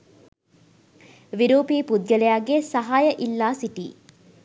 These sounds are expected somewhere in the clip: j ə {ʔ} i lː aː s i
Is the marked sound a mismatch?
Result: no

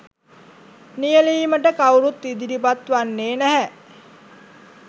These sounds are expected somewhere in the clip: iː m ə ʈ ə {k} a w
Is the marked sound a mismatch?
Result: no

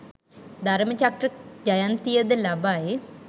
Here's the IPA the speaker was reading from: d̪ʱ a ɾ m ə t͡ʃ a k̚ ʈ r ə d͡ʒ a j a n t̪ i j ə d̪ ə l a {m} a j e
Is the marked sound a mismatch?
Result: yes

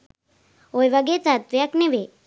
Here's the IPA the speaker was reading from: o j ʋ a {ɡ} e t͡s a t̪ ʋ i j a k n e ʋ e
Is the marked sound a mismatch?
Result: no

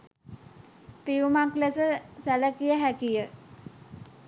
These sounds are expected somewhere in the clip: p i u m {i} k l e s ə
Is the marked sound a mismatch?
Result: yes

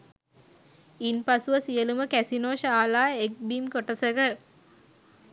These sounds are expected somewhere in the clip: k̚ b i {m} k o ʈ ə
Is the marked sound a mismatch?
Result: no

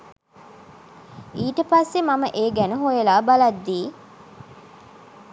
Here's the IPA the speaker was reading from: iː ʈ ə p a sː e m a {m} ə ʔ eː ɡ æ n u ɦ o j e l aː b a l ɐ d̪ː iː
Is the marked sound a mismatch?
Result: no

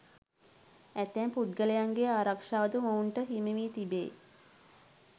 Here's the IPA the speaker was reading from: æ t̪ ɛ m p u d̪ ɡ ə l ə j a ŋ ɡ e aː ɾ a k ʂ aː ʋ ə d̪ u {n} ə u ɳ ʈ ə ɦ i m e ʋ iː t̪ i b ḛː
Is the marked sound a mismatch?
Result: yes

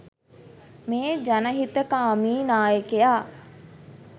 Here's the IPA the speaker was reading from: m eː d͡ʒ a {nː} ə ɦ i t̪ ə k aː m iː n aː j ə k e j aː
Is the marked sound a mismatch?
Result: yes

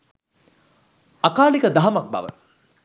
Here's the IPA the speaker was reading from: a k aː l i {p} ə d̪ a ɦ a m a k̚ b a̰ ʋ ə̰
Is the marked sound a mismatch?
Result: yes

